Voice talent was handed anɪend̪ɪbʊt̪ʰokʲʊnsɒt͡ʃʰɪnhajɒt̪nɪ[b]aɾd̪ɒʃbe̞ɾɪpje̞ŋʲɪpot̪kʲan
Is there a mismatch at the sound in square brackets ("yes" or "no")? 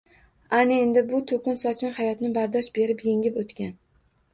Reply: no